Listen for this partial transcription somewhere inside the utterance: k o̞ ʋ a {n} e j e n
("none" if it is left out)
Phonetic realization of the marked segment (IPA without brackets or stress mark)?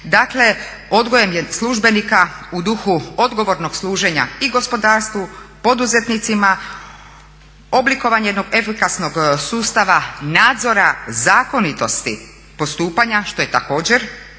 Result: ɲ